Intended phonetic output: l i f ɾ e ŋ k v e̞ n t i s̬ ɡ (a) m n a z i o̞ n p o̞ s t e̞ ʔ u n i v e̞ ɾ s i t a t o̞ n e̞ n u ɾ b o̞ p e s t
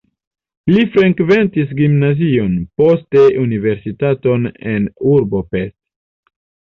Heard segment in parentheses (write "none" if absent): i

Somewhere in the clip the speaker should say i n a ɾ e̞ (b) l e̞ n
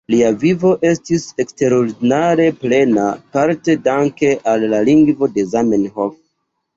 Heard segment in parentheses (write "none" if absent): p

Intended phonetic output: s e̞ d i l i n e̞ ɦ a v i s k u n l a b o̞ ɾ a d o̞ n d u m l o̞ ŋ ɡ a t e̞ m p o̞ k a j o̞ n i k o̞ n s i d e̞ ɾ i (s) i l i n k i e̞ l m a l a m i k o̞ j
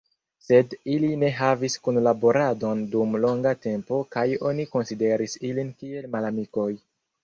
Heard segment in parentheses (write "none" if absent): s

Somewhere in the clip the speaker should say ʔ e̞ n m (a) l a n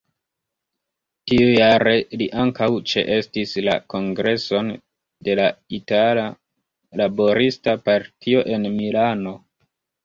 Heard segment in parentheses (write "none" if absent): i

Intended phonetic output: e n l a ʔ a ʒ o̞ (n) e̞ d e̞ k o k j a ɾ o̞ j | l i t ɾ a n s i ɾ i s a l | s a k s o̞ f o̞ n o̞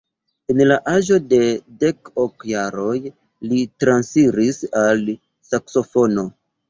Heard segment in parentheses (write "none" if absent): d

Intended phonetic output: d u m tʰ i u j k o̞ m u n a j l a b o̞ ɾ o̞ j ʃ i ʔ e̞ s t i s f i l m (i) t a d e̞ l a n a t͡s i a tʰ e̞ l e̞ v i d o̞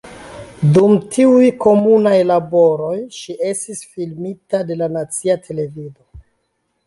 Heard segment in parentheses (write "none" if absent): i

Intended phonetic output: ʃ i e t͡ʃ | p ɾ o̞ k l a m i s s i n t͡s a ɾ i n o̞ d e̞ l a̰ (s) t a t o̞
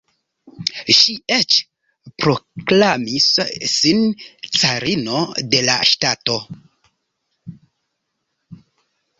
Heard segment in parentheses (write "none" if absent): ʃ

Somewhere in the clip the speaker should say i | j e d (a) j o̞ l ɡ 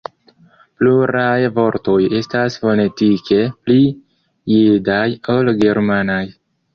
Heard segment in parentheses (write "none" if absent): a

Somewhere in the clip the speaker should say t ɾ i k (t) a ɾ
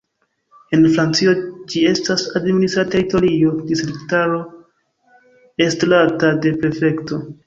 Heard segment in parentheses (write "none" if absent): t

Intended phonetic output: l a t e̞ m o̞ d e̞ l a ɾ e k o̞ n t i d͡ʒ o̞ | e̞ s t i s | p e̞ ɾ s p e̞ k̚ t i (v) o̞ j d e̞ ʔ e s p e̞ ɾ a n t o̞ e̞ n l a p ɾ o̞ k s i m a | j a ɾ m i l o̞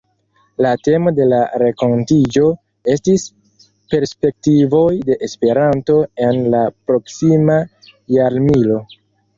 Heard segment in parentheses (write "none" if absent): v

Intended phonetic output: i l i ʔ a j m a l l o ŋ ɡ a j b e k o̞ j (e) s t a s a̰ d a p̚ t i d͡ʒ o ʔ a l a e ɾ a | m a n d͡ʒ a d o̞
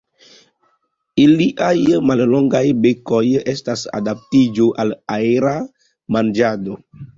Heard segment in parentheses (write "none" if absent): e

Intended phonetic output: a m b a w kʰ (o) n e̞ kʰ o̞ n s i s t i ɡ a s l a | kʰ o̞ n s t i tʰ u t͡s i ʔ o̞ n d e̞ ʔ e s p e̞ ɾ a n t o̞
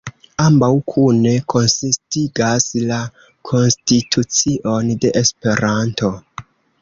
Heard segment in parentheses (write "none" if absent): u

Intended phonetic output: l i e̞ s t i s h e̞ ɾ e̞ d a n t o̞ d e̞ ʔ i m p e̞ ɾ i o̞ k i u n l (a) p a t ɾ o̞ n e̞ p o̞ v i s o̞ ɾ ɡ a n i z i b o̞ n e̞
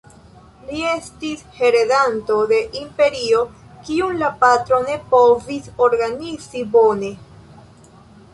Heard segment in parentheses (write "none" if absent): a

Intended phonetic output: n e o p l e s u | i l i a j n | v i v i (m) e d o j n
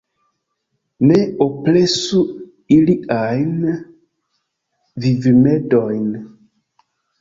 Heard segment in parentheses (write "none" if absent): m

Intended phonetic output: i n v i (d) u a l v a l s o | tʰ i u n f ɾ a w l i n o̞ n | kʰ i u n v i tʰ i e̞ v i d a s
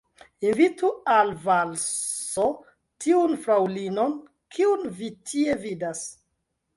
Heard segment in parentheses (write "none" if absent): t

